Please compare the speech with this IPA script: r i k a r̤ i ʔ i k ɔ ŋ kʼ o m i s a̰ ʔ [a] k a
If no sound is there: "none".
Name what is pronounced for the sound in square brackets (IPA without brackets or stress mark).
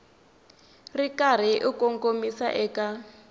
ɛ